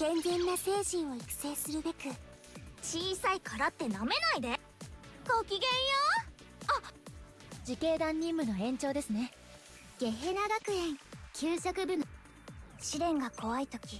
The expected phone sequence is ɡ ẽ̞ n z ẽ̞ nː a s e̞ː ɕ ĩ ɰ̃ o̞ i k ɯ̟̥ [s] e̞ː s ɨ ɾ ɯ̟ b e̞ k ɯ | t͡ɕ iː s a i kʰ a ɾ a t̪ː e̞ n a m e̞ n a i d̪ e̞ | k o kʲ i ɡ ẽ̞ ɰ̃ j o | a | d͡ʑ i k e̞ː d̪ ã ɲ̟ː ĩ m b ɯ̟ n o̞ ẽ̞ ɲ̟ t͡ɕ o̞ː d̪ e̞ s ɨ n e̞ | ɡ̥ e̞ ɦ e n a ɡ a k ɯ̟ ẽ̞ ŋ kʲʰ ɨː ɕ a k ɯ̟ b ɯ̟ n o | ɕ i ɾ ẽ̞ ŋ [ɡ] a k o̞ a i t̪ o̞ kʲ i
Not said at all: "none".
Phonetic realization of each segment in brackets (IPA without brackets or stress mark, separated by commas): s, ɡ